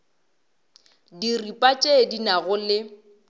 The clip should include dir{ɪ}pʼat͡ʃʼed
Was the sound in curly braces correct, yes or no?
no